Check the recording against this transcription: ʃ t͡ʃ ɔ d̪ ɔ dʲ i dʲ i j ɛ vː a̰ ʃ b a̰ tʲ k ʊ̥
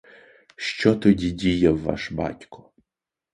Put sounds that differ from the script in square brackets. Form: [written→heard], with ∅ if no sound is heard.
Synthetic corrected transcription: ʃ t͡ʃ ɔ [d̪→t̪] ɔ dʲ i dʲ i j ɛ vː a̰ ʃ b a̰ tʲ k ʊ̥